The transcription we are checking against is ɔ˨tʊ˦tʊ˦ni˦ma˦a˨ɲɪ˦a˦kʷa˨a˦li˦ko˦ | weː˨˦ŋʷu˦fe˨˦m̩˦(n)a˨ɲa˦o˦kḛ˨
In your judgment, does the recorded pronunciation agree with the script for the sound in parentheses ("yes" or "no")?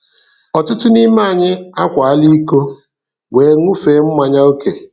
no